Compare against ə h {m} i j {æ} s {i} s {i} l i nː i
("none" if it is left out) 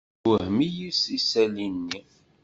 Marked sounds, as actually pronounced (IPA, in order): m, i, i, æ

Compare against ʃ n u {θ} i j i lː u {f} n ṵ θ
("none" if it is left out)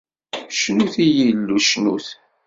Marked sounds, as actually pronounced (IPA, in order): θ, ʃ

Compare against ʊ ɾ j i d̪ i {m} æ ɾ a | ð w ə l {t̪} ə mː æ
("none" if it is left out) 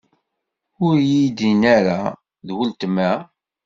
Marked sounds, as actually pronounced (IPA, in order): n, t̪

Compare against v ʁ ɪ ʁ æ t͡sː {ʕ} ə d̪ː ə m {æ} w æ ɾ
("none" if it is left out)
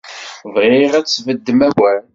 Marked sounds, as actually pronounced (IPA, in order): v, æ

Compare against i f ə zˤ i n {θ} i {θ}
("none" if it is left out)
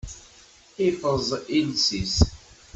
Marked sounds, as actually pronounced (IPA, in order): s, s

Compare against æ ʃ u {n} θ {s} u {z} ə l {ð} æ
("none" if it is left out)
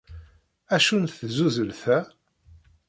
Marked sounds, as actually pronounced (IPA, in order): n, z, z, θ

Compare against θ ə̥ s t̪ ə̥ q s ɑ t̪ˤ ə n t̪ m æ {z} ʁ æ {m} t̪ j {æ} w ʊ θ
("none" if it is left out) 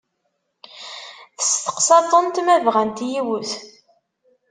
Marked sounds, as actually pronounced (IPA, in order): v, n, i

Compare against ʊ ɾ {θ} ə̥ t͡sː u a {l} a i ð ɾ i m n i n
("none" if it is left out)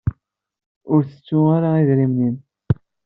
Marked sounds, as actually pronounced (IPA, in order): θ, ɾ

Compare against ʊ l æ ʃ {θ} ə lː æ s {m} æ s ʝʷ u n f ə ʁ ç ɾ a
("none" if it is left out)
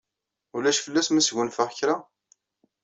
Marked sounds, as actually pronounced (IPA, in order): f, m

